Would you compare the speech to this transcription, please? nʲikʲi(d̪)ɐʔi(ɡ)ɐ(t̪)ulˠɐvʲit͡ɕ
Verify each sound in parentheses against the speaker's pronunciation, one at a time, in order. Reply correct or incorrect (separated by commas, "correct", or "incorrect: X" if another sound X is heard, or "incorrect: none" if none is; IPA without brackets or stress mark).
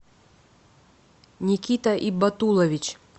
incorrect: t̪, incorrect: b, correct